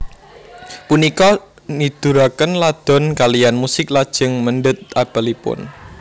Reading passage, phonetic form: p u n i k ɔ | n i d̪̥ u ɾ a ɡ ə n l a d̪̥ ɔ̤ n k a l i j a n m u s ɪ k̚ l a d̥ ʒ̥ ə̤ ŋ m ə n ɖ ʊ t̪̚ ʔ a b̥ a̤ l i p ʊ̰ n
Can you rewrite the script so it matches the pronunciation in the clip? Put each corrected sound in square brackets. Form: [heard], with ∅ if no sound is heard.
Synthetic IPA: p u n i k ɔ | n i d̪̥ u ɾ a [k] ə n l a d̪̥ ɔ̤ n k a l i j a n m u s ɪ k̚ l a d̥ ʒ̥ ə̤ ŋ m ə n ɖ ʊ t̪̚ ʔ a b̥ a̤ l i p ʊ̰ n